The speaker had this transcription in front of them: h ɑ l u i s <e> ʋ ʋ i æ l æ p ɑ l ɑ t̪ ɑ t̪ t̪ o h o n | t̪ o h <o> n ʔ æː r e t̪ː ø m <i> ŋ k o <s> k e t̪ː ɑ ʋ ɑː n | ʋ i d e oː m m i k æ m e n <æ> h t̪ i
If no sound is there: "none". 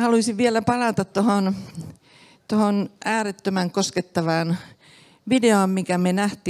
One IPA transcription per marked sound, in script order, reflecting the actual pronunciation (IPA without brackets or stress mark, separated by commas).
i, o, æ, s, æ